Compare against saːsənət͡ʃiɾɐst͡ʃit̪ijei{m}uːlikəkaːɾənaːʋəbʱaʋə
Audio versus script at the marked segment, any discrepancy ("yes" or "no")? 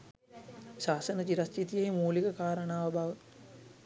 no